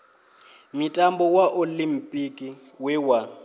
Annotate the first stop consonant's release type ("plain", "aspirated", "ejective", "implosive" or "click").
ejective